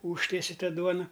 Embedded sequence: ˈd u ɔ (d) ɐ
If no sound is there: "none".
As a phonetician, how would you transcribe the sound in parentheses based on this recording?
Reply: n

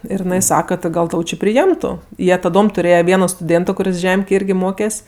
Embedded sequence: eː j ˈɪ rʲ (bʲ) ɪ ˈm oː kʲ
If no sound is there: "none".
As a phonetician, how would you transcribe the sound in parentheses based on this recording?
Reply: ɡʲ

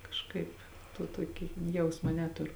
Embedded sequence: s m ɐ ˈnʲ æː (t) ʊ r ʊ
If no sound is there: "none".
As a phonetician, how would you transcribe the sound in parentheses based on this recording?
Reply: t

